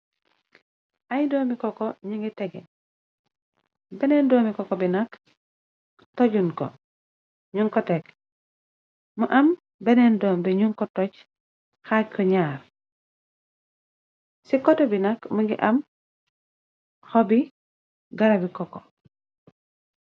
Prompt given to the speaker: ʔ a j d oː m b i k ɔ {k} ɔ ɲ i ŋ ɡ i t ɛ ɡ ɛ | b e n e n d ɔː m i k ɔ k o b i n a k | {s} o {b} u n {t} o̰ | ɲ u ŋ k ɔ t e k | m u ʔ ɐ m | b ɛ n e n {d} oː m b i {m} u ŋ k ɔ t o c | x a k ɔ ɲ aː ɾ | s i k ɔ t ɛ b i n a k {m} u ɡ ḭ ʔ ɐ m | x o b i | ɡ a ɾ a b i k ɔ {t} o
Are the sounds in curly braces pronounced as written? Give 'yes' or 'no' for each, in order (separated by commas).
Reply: yes, no, no, no, yes, no, yes, no